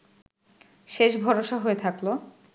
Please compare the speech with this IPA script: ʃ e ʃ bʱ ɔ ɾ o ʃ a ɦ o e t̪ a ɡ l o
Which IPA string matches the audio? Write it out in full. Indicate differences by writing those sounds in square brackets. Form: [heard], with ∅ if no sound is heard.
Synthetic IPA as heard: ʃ e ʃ bʱ ɔ ɾ o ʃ a ɦ o e [t̪ʰ] a [k] l o